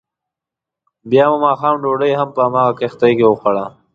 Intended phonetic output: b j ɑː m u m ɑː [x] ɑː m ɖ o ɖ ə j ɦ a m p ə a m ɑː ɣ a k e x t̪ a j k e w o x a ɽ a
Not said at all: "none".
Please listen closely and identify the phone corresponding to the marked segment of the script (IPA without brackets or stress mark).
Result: x